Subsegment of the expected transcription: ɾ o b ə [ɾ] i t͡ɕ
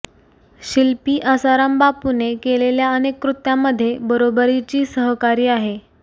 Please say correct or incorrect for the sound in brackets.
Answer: correct